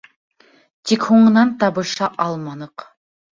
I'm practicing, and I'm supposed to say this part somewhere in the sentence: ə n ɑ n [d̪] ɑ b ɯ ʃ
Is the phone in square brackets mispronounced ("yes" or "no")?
yes